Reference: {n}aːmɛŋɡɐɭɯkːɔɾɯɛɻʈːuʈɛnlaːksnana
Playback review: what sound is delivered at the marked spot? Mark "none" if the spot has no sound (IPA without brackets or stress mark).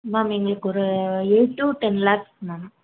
m